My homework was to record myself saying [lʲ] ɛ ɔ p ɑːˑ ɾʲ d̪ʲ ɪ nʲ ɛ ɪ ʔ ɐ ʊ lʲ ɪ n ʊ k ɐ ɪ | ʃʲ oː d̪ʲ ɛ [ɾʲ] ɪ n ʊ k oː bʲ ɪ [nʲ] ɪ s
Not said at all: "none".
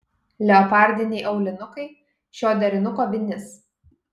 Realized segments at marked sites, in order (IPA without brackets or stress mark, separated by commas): lʲ, ɾʲ, nʲ